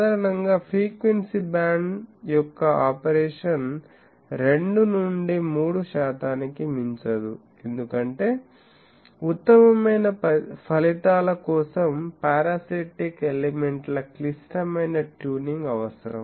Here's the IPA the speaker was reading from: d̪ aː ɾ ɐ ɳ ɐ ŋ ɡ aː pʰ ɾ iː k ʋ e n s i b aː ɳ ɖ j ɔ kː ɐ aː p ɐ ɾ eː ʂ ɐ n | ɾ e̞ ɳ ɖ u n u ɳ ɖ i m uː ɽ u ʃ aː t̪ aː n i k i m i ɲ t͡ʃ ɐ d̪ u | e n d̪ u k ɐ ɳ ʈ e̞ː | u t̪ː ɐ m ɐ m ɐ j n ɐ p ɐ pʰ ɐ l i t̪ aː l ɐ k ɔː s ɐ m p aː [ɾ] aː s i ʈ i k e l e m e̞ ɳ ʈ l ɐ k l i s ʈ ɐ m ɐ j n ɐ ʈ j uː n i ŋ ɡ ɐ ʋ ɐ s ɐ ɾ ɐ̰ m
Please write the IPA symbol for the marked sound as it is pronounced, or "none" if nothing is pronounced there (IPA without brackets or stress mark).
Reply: ɾ